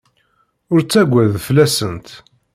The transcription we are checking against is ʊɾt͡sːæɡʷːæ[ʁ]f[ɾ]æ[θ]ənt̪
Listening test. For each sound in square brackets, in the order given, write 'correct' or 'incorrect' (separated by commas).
incorrect, incorrect, incorrect